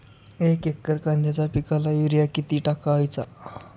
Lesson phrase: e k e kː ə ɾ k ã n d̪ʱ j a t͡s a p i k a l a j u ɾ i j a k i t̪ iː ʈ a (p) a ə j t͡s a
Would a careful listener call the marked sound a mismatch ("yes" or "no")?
yes